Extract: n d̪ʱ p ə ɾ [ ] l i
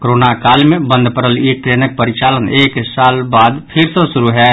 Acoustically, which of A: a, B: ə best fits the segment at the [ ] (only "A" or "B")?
B